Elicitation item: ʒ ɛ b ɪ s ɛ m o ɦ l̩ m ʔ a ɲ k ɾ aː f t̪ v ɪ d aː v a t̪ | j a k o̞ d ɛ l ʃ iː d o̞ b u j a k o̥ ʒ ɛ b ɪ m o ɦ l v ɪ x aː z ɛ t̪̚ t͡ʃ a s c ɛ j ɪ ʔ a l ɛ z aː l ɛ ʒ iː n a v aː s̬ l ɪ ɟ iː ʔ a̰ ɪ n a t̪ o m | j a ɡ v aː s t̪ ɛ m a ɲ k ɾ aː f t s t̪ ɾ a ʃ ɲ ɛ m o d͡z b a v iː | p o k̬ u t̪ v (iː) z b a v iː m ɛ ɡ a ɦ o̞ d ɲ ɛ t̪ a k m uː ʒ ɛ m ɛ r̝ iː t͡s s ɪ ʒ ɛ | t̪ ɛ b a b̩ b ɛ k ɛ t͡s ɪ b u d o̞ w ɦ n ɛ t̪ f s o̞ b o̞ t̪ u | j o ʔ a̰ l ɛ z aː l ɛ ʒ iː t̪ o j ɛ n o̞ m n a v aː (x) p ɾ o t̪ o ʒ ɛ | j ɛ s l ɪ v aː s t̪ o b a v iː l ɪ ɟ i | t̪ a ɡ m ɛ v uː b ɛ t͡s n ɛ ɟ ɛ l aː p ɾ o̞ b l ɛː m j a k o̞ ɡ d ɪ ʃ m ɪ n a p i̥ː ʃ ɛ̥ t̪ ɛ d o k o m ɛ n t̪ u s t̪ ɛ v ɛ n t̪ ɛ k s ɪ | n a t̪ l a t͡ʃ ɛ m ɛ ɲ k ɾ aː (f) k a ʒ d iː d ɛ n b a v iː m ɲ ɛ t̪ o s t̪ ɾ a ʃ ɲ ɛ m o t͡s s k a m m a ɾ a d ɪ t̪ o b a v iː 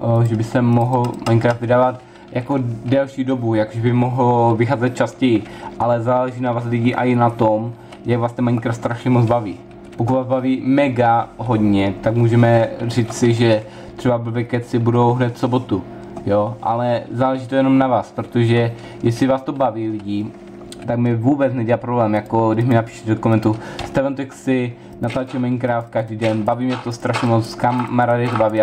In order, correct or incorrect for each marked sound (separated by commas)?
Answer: incorrect, incorrect, correct